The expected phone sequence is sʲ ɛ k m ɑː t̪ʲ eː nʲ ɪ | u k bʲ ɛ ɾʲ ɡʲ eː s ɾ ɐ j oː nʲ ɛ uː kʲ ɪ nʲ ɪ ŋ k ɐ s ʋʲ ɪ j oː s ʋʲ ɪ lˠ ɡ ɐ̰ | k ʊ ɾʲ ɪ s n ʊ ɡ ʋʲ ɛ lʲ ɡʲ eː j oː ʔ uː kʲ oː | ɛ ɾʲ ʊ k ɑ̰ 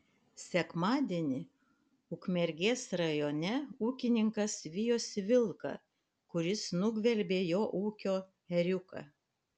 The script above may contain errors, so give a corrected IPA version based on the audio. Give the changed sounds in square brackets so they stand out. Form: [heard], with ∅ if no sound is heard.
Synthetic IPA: sʲ ɛ k m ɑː [d̪ʲ] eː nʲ ɪ | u k [mʲ] ɛ ɾʲ ɡʲ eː s ɾ ɐ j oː nʲ ɛ uː kʲ ɪ nʲ ɪ ŋ k ɐ s ʋʲ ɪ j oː s ʋʲ ɪ lˠ [k] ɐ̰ | k ʊ ɾʲ ɪ s n ʊ ɡ ʋʲ ɛ lʲ [bʲ] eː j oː ʔ uː kʲ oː | ɛ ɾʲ ʊ k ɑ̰